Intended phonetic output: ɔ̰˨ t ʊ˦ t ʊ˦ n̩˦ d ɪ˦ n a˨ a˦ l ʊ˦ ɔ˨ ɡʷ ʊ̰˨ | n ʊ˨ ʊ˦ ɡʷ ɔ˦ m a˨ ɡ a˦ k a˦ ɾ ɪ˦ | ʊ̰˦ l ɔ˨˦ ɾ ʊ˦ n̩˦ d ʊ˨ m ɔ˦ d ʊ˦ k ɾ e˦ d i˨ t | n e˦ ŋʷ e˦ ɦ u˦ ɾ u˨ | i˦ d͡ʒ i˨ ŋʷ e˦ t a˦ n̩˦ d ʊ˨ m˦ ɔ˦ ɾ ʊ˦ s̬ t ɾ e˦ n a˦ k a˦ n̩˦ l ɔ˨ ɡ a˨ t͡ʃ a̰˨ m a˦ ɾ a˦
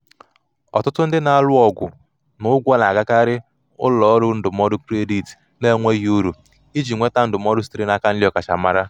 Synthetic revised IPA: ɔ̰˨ t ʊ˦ t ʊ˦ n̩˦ d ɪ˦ n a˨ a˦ l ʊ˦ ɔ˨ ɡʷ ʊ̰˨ | n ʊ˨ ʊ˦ ɡʷ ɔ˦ n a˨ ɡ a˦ k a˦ ɾ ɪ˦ | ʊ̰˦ l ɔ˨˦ ɾ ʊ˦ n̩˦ d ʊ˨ m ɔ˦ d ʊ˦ k ɾ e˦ d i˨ t | n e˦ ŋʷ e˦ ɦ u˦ ɾ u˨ | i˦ d͡ʒ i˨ ŋʷ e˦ t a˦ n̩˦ d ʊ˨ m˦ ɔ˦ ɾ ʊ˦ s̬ t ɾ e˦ n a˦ k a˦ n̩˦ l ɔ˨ k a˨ t͡ʃ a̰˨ m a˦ ɾ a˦